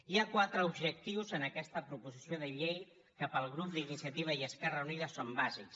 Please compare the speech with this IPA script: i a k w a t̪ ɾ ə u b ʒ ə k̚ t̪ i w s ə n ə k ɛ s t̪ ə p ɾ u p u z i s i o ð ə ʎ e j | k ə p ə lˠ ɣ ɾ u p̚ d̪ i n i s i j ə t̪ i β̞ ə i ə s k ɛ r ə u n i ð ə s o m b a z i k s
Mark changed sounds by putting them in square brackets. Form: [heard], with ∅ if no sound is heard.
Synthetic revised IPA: i a k w a t̪ ɾ ə u b ʒ ə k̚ t̪ i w [z] ə n ə k ɛ s t̪ ə p ɾ u p u z i s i o ð ə ʎ e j | k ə p ə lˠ ɣ ɾ u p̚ d̪ i n i s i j ə t̪ i β̞ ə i ə s k ɛ r ə u n i ð ə s o m b a z i k s